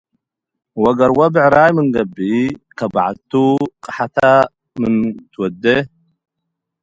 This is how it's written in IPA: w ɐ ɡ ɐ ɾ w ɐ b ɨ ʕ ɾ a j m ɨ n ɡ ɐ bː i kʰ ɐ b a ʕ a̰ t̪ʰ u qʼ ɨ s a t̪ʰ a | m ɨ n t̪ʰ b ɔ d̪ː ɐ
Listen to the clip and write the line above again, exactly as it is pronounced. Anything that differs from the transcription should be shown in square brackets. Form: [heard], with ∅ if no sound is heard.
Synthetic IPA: w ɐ ɡ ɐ ɾ w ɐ b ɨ ʕ ɾ a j m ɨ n ɡ ɐ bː i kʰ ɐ b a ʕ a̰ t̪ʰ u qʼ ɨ [ħ] a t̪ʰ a | m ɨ n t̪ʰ [w] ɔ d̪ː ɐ